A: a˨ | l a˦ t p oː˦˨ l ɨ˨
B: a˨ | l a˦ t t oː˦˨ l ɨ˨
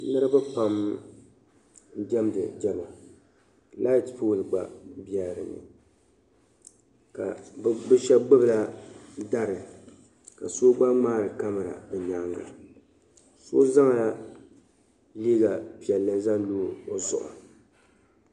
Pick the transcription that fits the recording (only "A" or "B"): A